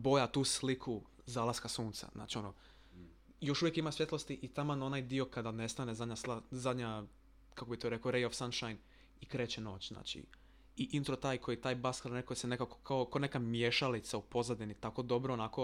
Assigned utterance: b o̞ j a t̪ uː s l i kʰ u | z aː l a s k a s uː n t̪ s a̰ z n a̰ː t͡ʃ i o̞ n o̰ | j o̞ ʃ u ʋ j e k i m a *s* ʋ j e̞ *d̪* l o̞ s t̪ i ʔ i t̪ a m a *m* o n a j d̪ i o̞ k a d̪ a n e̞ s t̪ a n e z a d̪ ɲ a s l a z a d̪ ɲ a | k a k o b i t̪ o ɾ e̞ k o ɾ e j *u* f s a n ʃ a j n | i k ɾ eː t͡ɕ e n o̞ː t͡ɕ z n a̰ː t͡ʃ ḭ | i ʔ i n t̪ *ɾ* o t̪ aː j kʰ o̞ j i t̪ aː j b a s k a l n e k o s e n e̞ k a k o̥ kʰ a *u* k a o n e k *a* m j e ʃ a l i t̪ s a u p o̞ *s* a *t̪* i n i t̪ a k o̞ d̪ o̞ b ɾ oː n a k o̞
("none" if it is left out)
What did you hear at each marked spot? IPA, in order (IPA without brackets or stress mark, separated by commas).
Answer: s, t̪, n, o, ɾ, o, a, z, d̪